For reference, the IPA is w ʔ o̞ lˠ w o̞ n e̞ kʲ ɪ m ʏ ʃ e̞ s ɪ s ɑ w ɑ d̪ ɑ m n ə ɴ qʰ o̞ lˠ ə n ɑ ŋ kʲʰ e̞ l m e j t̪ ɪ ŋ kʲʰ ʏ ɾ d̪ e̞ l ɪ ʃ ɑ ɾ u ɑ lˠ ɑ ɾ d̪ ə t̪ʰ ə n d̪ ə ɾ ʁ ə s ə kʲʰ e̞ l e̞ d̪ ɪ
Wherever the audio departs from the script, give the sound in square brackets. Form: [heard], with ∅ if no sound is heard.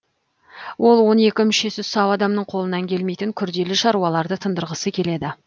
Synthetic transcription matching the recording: w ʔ o̞ lˠ w o̞ n e̞ kʲ ɪ m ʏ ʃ e̞ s ɪ s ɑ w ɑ d̪ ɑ m n ə ɴ qʰ o̞ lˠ ə n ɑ ŋ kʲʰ e̞ l m e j t̪ ɪ ŋ kʲʰ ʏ ɾ d̪ e̞ l ɪ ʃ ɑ ɾ u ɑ lˠ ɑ ɾ d̪ ə t̪ʰ ə n d̪ ə ɾ ʁ ə s ə kʲʰ e̞ l e̞ d̪ ɪ